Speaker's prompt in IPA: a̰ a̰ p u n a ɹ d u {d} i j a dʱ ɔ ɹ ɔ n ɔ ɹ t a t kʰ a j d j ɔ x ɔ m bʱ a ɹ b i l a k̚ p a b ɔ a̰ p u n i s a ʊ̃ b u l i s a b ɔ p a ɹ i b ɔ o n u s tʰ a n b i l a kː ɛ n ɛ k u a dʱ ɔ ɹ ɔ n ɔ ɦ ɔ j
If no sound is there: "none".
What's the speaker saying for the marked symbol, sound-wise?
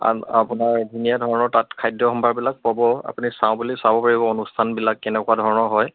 n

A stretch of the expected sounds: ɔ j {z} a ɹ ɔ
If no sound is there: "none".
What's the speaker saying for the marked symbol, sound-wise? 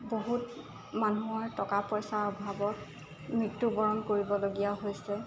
s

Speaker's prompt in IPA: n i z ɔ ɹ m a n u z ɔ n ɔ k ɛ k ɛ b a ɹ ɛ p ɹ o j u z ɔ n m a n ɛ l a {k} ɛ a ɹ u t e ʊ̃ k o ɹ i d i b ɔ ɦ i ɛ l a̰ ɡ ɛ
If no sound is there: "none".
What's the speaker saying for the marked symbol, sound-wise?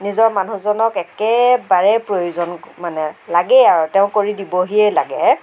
ɡ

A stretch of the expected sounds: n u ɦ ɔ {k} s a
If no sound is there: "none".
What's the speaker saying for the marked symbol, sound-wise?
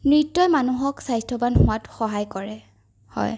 k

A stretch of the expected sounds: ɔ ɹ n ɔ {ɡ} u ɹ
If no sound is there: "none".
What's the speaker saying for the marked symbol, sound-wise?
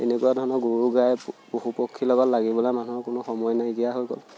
ɡ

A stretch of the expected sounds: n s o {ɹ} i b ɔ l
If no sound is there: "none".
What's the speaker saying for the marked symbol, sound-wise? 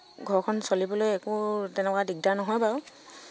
l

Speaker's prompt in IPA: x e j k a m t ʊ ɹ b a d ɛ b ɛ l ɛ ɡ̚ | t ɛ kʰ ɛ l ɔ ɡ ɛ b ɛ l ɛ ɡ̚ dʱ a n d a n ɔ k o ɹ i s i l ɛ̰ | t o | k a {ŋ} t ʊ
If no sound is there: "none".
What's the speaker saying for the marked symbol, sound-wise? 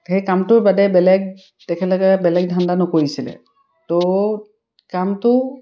m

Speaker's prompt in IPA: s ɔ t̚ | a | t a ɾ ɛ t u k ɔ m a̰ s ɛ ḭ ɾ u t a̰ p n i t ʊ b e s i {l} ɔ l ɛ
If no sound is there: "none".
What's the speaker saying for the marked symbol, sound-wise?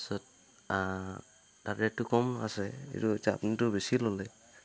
l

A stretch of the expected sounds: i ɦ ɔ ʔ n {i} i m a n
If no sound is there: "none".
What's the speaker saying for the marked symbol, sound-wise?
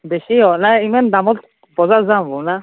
a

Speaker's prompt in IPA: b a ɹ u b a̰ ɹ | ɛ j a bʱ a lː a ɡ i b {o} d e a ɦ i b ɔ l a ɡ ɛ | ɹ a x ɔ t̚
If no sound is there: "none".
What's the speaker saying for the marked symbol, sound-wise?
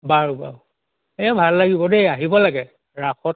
ɔ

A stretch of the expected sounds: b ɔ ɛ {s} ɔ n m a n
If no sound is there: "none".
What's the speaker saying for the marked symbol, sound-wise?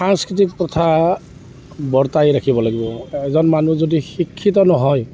z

